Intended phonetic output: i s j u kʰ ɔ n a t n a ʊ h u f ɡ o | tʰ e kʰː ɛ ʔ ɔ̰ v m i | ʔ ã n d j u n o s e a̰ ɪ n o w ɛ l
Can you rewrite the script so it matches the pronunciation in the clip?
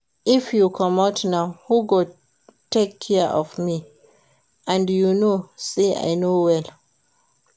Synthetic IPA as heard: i f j u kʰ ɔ m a t n a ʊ h u ɡ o | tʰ e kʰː ɛ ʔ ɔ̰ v m i | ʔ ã n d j u n o s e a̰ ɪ n o w ɛ l